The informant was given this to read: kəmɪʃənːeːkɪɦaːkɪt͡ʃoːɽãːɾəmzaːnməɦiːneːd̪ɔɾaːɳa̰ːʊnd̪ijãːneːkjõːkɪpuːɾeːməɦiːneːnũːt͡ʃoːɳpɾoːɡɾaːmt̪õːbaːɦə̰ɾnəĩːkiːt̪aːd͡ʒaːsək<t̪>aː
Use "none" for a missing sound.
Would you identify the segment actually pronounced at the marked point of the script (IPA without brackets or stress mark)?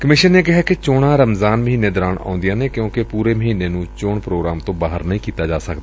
d̪